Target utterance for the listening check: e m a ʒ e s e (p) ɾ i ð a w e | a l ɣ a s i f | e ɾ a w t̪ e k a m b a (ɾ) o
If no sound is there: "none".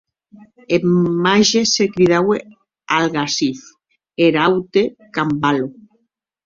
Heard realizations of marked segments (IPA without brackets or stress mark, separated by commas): k, l